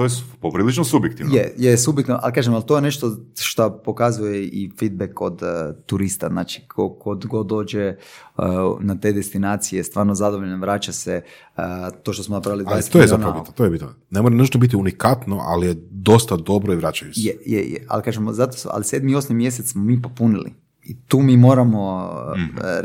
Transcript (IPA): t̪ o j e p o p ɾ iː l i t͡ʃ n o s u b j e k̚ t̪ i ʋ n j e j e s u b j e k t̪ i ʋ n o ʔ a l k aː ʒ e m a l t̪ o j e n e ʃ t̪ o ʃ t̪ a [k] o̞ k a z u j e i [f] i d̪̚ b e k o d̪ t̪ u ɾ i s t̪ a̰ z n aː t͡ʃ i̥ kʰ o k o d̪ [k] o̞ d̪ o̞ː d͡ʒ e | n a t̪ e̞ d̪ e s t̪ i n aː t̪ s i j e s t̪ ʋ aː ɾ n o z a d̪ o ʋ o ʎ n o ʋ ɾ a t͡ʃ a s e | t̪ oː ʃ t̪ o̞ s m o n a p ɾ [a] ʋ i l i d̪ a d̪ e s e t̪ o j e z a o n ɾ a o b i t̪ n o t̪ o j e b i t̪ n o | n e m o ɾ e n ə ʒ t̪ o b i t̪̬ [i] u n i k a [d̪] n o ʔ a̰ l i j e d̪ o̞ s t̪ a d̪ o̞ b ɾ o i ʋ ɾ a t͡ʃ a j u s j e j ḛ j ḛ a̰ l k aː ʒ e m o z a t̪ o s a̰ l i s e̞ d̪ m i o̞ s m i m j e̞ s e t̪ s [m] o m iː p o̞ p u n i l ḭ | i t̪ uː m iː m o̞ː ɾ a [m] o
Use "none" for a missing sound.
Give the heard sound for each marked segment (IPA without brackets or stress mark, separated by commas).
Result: p, f, ɡ, a, i, t̪, m, m